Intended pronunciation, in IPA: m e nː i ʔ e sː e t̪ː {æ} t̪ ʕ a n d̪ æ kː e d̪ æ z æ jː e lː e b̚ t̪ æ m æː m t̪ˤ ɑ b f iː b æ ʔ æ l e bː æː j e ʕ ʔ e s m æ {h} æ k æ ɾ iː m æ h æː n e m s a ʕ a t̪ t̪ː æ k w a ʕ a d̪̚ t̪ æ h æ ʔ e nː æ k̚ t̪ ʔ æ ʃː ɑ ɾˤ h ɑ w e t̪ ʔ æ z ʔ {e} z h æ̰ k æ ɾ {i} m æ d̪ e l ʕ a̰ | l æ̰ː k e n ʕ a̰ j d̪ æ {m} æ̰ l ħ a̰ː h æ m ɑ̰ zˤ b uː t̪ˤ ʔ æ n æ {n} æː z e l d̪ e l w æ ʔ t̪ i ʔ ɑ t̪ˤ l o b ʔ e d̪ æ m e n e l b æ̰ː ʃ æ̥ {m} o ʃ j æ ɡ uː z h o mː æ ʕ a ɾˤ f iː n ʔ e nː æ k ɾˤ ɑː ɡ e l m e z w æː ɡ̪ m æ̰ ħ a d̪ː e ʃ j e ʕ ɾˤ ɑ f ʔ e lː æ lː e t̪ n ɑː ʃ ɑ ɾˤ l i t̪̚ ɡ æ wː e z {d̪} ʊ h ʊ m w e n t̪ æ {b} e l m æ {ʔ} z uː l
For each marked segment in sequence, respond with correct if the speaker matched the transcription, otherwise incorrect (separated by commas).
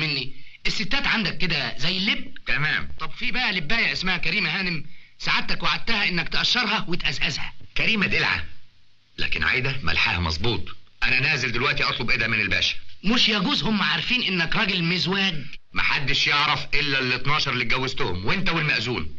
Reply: incorrect, correct, incorrect, incorrect, correct, correct, correct, incorrect, incorrect, correct